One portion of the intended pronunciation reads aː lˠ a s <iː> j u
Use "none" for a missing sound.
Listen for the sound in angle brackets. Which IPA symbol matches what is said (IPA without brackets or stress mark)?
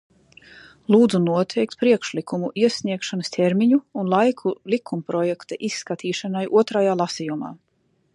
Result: i